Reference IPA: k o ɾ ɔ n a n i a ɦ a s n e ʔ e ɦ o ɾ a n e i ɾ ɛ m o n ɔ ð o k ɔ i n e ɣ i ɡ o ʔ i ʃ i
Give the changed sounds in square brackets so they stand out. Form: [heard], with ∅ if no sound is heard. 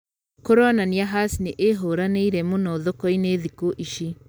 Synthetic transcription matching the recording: k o ɾ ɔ n a n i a ɦ a s n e ʔ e ɦ o ɾ a n e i ɾ ɛ m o n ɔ ð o k ɔ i n e [ð] i [k] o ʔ i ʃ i